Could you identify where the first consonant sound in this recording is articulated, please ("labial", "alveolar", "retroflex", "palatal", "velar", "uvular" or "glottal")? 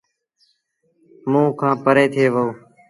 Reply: labial